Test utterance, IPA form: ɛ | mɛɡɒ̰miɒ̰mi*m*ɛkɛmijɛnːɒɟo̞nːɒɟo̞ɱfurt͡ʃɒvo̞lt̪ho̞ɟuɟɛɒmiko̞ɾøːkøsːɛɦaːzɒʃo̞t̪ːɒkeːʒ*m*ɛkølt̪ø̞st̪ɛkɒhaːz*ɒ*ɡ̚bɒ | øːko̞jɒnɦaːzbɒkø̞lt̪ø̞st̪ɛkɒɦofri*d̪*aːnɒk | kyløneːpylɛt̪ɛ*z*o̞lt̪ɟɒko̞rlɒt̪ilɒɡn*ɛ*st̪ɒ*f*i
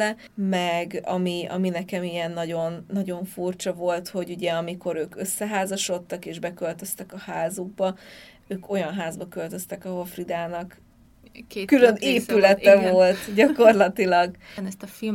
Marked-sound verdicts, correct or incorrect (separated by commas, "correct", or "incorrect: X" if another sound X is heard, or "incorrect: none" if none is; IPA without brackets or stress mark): incorrect: n, incorrect: b, incorrect: u, correct, incorrect: v, correct, correct